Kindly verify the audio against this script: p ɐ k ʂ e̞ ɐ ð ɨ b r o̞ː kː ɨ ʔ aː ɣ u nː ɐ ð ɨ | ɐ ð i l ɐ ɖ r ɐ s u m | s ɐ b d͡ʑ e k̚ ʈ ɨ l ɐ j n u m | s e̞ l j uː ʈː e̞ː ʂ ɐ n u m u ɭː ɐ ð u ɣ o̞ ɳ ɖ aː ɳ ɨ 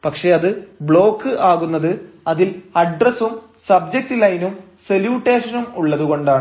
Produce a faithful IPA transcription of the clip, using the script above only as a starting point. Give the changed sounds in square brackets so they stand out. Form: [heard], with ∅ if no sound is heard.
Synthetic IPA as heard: p ɐ k ʂ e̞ ɐ ð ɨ b [ɭ] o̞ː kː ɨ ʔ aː ɣ u nː ɐ ð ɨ | ɐ ð i l ɐ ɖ r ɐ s u m | s ɐ b d͡ʑ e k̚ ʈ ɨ l ɐ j n u m | s e̞ l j uː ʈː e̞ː ʂ ɐ n u m u ɭː ɐ ð u ɣ o̞ ɳ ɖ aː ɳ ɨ

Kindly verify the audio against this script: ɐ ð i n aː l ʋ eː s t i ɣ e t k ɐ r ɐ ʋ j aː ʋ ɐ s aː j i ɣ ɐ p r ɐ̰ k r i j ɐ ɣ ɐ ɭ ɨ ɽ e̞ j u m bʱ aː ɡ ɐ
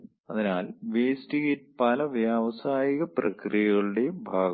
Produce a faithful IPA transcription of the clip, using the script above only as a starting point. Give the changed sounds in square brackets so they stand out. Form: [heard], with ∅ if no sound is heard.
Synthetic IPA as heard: ɐ ð i n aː l ʋ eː s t i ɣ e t [p] ɐ [l] ɐ ʋ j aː ʋ ɐ s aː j i ɣ ɐ p r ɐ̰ k r i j ɐ ɣ ɐ ɭ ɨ ɽ e̞ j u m bʱ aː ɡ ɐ

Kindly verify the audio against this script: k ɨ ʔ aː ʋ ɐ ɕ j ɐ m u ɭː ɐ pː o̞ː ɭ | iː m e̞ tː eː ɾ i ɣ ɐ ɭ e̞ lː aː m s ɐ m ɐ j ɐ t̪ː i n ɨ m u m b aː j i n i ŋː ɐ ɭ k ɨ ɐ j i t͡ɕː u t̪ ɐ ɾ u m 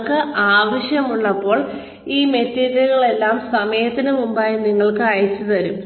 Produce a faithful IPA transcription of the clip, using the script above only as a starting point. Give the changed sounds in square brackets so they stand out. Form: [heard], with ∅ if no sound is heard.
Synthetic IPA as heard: k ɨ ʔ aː ʋ ɐ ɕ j ɐ m u ɭː ɐ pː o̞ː ɭ | iː m e̞ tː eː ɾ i ɣ ɐ ɭ e̞ lː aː m s ɐ m ɐ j ɐ t̪ː i n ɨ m u m b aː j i n i ŋː ɐ ɭ k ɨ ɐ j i t͡ɕː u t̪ ɐ ɾ u m

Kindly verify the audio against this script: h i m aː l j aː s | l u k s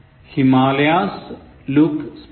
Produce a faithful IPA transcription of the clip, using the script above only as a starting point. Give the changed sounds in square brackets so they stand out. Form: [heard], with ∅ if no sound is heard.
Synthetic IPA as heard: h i m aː l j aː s | l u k s

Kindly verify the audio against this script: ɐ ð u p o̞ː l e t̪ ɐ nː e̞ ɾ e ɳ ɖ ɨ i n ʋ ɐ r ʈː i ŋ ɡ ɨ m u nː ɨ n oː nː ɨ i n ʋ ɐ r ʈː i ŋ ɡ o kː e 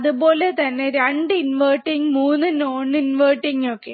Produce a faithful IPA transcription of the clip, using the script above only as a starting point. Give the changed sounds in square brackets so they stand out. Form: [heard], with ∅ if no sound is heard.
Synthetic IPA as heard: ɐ ð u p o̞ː l e t̪ ɐ nː e̞ ɾ e ɳ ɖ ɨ i n ʋ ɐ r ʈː i ŋ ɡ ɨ m [uː] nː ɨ n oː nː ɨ i n ʋ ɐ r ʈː i ŋ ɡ o kː e

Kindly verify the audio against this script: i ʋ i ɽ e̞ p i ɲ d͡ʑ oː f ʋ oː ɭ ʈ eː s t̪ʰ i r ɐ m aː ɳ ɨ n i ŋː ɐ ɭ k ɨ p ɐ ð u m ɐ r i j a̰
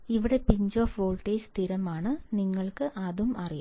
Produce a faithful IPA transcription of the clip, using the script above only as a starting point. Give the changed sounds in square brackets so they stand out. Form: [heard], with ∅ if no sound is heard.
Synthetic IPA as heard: i ʋ i ɽ e̞ p i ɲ d͡ʑ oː f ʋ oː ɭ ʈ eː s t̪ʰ i [ɾ] ɐ m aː ɳ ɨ n i ŋː ɐ ɭ k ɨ [ʔ] ɐ ð u m ɐ r i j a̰

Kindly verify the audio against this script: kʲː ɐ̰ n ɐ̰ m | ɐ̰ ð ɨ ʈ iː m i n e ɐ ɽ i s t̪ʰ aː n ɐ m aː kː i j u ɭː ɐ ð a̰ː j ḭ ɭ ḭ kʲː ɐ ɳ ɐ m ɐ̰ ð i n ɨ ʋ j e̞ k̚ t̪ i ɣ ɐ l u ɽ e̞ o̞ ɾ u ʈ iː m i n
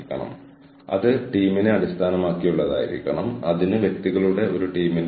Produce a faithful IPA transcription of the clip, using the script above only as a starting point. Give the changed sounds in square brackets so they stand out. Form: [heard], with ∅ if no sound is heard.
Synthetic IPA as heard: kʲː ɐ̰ [ɳ] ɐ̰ m | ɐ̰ ð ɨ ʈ iː m i n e ɐ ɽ i s t̪ʰ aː n ɐ m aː kː i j u ɭː ɐ ð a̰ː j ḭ [ɾ] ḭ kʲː ɐ ɳ ɐ m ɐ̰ ð i n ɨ ʋ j e̞ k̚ t̪ i ɣ ɐ [ɭ] u ɽ e̞ o̞ ɾ u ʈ iː m i n

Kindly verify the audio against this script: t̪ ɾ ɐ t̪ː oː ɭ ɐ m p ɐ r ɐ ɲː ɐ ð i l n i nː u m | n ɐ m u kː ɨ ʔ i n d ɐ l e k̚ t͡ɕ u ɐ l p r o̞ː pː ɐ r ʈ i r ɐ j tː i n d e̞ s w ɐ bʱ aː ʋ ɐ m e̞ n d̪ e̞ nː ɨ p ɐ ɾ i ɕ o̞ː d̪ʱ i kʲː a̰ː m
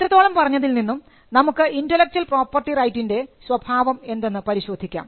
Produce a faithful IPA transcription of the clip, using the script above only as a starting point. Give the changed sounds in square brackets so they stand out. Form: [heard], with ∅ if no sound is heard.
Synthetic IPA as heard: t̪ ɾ ɐ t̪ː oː ɭ ɐ m p ɐ r ɐ ɲː ɐ ð i l n i nː u m | n ɐ m u kː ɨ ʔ i n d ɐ l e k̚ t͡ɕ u ɐ l p r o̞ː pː ɐ r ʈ i r ɐ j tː i n d e̞ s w ɐ bʱ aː ʋ ɐ m e̞ n d̪ e̞ nː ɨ p ɐ ɾ i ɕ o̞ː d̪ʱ i kʲː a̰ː m

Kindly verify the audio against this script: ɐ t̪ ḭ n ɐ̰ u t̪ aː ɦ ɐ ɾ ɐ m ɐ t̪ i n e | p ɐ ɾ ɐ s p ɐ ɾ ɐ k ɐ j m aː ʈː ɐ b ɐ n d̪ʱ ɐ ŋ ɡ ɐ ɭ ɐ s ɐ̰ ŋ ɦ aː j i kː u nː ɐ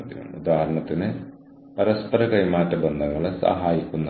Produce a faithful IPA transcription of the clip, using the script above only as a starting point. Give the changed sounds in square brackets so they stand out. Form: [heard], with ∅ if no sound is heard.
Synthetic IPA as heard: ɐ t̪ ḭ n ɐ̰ u [d̪] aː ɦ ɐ ɾ ɐ [ɳ] ɐ t̪ i n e | p ɐ ɾ ɐ s p ɐ ɾ ɐ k ɐ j m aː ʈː ɐ b ɐ n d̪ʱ ɐ ŋ ɡ ɐ ɭ ɐ s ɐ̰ [∅] ɦ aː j i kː u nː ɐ

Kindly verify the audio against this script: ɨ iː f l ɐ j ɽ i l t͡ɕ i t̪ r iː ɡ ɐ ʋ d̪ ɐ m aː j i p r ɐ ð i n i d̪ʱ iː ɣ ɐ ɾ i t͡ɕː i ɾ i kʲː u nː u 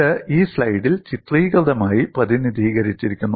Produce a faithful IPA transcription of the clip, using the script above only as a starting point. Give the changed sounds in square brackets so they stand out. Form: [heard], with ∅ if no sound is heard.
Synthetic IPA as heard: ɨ iː [s] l ɐ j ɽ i l t͡ɕ i t̪ r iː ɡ ɐ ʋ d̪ ɐ m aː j i p r ɐ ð i n i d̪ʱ iː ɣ ɐ ɾ i t͡ɕː i ɾ i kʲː u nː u

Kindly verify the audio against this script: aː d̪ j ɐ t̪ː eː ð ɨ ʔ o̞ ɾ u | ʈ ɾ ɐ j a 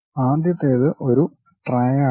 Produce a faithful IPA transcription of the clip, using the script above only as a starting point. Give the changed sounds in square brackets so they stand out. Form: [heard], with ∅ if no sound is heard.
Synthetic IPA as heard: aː d̪ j ɐ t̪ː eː ð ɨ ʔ o̞ ɾ u | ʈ [r] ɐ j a

